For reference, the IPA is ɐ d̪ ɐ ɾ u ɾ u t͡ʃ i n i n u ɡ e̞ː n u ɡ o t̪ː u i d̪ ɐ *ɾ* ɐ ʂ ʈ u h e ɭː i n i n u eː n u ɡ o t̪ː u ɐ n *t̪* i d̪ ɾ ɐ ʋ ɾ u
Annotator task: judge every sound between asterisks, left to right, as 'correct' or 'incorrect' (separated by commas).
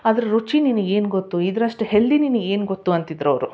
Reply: correct, correct